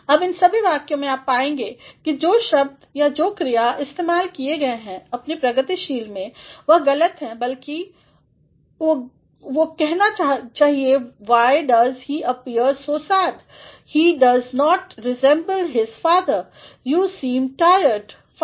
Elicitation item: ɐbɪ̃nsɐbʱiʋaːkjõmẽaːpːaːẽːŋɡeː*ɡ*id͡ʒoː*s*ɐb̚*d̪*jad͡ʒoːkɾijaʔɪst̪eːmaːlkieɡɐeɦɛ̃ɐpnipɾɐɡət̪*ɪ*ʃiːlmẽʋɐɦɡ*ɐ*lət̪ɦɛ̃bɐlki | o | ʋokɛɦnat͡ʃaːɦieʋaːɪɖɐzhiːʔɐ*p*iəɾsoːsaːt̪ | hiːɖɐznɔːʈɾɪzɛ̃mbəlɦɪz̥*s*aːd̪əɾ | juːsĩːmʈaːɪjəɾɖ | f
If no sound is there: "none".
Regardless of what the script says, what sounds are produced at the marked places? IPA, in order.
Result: k, ʃ, d̪, i, ɐ, p, f

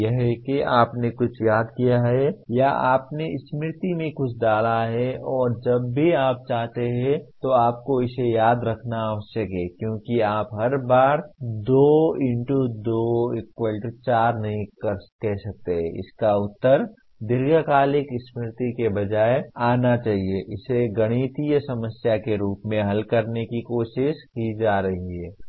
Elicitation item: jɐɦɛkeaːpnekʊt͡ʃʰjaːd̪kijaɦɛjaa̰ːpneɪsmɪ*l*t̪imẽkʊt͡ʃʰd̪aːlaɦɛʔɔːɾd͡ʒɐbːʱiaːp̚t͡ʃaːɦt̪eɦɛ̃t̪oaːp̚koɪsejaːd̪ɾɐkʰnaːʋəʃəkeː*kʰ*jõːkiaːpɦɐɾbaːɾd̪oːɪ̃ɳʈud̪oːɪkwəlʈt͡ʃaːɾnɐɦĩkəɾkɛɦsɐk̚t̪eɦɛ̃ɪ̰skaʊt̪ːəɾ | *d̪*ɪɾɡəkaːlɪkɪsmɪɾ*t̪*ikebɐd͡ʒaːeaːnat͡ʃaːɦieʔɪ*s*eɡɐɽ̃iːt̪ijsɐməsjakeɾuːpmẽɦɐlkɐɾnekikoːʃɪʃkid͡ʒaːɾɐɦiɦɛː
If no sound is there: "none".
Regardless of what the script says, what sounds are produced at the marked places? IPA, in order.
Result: ɾ, k, d̪, t̪, s

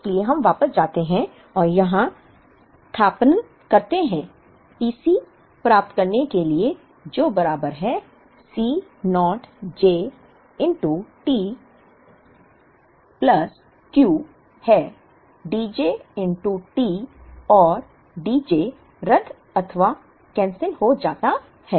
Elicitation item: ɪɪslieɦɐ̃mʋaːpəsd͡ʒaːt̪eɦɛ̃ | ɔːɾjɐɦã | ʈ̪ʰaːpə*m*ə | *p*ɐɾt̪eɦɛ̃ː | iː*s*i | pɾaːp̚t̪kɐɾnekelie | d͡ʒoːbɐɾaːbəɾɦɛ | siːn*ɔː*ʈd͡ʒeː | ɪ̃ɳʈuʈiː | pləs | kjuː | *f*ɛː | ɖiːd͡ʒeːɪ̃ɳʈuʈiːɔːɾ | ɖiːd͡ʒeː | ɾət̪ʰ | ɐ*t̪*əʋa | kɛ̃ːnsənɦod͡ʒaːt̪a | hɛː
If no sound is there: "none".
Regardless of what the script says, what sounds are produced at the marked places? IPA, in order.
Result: n, k, s, ɔː, h, t̪ʰ

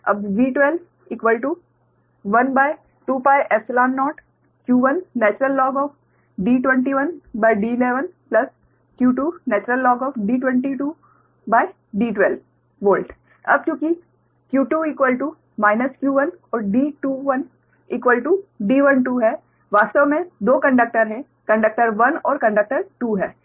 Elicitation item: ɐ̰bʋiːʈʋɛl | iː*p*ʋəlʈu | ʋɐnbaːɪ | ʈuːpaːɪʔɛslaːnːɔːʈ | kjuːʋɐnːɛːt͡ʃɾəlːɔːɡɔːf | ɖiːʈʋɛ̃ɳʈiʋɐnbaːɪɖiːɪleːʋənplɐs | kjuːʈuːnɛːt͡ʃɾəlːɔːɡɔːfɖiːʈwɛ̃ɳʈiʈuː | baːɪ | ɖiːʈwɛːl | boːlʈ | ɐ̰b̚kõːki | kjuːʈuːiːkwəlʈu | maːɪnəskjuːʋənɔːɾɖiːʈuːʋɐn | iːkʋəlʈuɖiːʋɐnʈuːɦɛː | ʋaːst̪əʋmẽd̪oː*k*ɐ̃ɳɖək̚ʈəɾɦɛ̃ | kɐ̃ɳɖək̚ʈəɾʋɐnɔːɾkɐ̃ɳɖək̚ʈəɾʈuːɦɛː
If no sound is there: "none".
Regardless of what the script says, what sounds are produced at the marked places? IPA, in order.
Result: k, k

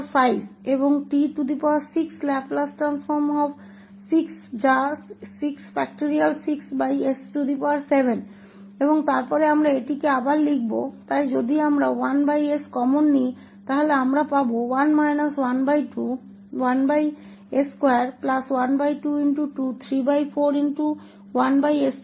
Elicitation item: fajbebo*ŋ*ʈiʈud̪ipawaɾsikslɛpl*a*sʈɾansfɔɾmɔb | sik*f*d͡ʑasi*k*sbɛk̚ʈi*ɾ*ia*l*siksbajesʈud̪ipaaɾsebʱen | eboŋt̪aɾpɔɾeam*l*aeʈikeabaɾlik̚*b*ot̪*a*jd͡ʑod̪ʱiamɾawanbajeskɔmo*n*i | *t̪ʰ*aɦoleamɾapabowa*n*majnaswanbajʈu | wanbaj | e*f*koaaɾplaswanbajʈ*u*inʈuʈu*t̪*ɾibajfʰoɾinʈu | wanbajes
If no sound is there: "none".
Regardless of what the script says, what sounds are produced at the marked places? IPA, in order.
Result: ŋ, a, s, k, ɾ, l, ɾ, b, a, nː, t̪, n, s, u, t̪ʰ

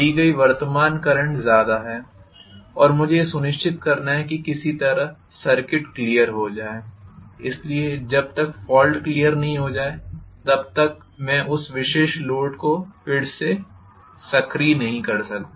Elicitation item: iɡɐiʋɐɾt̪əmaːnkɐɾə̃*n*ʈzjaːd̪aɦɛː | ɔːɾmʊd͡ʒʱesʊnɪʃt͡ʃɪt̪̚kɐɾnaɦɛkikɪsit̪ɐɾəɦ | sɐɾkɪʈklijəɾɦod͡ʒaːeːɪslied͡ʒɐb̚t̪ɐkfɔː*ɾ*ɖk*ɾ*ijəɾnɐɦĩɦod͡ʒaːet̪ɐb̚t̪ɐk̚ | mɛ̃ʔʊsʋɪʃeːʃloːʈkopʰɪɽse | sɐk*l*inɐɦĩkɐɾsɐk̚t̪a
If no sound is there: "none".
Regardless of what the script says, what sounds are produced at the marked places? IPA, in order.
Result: ɳ, l, l, ɾ

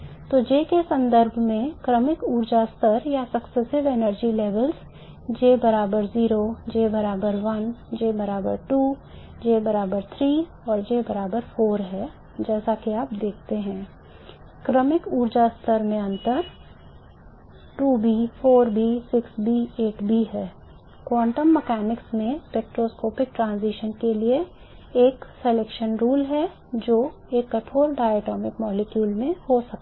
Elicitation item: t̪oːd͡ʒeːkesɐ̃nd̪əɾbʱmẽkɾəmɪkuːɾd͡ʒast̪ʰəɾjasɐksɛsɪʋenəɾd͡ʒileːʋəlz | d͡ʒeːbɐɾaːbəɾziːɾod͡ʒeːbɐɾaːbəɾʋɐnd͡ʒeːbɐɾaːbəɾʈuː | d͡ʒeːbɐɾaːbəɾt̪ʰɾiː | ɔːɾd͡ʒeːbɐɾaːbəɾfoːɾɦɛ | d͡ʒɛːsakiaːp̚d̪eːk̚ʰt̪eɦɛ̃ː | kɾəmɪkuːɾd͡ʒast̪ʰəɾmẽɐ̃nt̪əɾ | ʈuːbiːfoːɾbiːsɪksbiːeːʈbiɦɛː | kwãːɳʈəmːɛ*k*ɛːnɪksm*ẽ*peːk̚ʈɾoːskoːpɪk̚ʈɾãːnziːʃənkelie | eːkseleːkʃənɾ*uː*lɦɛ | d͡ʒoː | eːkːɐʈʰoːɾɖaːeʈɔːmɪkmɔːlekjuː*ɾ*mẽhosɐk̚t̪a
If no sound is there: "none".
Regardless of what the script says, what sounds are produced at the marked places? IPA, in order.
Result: k, ẽ, uː, l

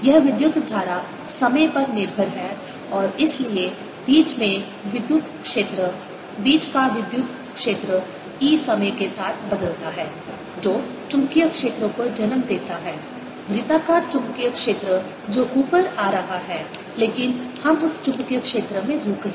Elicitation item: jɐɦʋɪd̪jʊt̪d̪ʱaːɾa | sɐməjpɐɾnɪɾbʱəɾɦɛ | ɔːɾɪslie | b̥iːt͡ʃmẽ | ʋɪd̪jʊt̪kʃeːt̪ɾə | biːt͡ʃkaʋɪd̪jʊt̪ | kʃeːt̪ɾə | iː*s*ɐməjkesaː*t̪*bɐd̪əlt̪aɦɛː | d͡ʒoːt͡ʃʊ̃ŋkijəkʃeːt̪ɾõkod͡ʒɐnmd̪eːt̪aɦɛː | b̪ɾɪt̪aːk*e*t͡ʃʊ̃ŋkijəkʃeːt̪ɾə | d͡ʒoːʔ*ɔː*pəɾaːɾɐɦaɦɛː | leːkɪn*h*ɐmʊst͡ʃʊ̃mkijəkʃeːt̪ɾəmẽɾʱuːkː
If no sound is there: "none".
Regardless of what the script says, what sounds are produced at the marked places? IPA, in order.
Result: s, t̪ʰ, a, uː, h

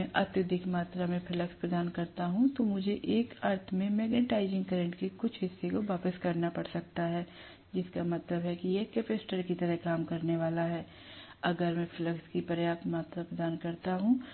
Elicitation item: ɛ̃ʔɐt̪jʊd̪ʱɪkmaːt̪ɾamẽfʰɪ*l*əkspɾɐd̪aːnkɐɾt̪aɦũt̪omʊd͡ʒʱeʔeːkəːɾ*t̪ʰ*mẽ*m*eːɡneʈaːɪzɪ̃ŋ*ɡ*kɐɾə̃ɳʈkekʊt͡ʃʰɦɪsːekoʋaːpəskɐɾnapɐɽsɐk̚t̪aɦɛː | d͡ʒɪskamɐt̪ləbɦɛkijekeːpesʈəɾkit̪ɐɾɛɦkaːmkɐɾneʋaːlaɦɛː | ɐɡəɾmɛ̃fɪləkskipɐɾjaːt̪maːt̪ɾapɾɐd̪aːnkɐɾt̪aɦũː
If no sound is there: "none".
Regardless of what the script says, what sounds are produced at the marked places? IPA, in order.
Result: l, t̪ʰ, m, ɡ

